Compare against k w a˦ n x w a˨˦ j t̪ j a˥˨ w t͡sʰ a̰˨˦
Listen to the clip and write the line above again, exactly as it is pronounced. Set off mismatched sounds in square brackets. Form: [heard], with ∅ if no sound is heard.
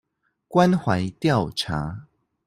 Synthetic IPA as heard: k w a˦ n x w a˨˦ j t̪ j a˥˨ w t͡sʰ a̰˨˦